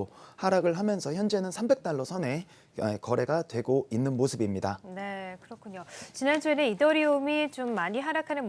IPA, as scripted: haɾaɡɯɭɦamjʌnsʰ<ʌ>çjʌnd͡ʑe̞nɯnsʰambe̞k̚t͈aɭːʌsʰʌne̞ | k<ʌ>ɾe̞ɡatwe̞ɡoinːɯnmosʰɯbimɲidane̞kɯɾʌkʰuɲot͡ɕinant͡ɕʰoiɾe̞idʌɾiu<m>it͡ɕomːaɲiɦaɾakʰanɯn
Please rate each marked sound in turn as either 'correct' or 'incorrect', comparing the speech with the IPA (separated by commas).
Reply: correct, correct, correct